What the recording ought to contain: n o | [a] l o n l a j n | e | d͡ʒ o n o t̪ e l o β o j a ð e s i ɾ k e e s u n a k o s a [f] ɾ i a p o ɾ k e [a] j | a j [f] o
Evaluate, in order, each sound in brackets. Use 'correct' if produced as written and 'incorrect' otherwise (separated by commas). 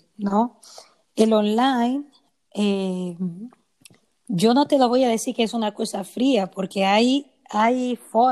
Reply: incorrect, correct, correct, correct